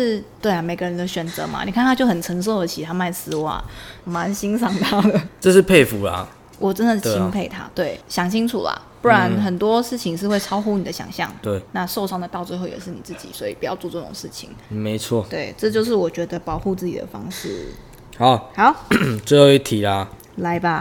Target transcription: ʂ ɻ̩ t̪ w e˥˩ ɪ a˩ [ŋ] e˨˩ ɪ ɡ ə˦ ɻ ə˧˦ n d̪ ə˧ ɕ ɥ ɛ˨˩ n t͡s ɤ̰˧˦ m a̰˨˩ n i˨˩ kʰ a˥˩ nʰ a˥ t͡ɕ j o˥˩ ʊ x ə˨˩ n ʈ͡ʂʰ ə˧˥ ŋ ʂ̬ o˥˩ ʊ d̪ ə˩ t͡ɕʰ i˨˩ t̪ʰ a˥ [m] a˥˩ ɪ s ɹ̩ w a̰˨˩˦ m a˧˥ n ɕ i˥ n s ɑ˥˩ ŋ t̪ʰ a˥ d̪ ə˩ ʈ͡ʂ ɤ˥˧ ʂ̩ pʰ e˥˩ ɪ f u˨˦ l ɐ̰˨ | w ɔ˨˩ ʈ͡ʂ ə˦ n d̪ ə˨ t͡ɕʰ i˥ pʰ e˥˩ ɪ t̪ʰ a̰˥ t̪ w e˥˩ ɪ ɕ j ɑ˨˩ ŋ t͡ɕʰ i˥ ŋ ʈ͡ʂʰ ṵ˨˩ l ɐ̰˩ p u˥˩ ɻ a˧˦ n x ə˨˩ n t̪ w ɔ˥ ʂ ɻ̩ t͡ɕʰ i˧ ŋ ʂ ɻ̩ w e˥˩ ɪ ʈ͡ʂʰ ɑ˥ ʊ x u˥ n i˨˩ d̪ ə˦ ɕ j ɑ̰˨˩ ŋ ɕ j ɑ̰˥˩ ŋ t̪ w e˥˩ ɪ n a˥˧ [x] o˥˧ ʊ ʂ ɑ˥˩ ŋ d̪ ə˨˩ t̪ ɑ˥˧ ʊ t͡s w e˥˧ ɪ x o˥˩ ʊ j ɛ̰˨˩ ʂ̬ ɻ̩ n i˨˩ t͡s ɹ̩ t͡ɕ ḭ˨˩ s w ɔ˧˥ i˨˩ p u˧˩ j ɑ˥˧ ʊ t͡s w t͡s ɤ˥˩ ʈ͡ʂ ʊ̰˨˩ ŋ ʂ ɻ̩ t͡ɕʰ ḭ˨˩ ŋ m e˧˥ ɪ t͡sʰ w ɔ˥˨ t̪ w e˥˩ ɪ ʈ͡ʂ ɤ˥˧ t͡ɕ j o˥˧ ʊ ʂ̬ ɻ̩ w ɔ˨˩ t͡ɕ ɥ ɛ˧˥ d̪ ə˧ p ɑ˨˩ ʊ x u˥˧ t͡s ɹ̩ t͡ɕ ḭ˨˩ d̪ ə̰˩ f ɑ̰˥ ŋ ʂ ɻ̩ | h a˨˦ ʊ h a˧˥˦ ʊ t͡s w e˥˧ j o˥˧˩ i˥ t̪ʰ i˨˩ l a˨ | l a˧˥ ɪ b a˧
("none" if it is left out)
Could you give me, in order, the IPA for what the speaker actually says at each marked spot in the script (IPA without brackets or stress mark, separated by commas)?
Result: m, m, ʂ